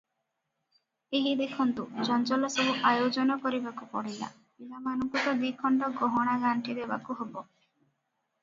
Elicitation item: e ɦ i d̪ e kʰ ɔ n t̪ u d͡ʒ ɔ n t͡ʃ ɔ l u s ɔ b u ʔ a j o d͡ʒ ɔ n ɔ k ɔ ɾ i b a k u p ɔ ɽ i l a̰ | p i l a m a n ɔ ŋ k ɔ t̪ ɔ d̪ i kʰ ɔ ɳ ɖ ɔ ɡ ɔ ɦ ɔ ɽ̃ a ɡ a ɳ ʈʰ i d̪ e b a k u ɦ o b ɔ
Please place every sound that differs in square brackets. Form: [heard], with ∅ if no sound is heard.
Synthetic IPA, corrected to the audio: e ɦ i d̪ e kʰ ɔ n t̪ u d͡ʒ ɔ n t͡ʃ ɔ l [ɔ] s ɔ b u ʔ a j o d͡ʒ ɔ n ɔ k ɔ ɾ i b a k u p ɔ ɽ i l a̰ | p i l a m a n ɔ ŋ k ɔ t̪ ɔ d̪ i kʰ ɔ ɳ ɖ ɔ ɡ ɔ ɦ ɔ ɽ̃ a ɡ a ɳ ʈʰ i d̪ e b a k u ɦ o b ɔ